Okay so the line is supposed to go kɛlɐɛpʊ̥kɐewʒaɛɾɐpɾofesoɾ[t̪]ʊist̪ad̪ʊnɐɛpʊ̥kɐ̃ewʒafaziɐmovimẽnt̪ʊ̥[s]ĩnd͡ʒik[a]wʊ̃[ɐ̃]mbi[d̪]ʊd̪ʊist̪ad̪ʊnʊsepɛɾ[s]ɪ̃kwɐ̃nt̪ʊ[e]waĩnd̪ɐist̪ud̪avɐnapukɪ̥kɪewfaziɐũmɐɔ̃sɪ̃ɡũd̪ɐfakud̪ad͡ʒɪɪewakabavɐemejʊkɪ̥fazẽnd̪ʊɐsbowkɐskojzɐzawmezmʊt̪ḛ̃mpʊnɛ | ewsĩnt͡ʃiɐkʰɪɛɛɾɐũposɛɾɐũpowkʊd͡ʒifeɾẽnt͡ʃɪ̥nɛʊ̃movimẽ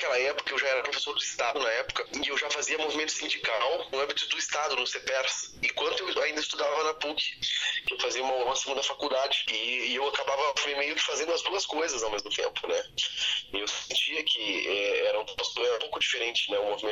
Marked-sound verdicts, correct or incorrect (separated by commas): incorrect, correct, correct, correct, incorrect, correct, correct